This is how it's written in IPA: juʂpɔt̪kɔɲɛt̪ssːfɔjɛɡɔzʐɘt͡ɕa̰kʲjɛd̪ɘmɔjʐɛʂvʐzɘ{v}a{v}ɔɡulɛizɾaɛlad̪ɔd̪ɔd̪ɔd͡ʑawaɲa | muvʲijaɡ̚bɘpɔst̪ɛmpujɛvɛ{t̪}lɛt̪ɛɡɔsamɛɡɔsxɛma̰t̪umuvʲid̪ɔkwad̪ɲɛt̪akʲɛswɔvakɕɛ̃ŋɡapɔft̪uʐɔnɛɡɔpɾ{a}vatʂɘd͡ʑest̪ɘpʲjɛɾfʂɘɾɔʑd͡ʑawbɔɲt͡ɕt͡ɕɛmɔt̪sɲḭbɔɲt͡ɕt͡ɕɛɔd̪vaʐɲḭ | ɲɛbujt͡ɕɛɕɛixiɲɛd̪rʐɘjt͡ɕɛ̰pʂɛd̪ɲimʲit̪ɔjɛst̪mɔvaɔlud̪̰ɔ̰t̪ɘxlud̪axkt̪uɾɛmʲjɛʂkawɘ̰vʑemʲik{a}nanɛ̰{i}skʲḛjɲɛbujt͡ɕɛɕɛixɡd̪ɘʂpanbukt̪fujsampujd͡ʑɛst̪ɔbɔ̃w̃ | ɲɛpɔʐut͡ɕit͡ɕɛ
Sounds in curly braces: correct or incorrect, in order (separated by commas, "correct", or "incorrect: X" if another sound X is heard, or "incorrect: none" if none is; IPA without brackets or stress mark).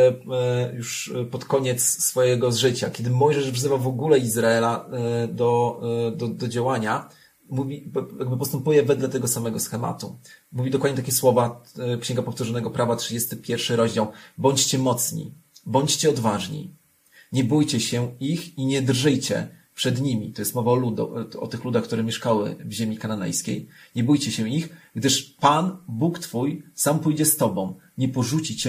correct, correct, incorrect: d̪, correct, correct, incorrect: j